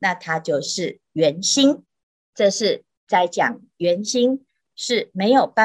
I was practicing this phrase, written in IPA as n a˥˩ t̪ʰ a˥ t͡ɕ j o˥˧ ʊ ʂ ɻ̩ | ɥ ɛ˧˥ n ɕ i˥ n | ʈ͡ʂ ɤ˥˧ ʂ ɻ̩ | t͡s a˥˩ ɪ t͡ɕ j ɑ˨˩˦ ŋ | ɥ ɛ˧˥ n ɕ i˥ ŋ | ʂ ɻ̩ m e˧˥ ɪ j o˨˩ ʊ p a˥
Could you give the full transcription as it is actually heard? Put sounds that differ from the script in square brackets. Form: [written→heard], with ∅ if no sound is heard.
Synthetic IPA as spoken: n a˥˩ t̪ʰ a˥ t͡ɕ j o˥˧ ʊ ʂ ɻ̩ | ɥ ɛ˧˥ n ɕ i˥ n | ʈ͡ʂ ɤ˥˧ ʂ ɻ̩ | t͡s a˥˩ ɪ t͡ɕ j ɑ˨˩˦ ŋ | ɥ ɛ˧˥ n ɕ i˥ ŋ | ʂ ɻ̩ m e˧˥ ɪ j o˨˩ ʊ p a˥